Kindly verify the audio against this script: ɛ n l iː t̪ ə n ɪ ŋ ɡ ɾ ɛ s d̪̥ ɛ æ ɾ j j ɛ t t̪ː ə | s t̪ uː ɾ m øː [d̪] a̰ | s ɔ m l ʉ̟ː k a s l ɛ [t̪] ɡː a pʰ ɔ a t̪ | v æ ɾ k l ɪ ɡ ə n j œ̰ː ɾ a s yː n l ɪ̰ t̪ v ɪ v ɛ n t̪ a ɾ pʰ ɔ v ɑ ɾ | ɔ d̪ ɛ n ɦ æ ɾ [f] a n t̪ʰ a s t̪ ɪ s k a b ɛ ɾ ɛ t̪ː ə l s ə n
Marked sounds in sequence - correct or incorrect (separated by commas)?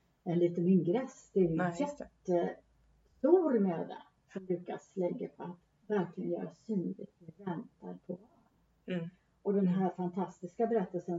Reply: correct, incorrect, correct